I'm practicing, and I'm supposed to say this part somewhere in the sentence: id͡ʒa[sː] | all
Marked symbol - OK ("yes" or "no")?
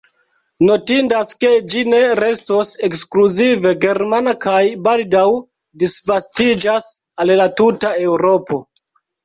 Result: no